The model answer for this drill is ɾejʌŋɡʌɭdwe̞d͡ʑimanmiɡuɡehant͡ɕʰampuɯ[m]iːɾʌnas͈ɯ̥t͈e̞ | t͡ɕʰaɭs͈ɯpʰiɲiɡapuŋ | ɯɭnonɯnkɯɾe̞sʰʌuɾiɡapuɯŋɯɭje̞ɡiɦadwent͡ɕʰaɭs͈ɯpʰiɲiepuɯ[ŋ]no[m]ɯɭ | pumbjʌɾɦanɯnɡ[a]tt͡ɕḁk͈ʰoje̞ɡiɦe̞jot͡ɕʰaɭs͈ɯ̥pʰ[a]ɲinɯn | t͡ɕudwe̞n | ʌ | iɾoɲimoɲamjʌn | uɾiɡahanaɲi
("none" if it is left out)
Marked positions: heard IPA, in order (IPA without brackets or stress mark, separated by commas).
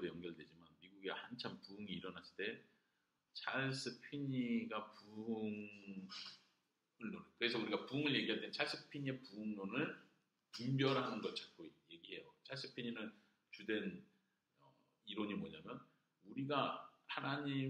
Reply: ŋ, ŋ, n, ʌ, i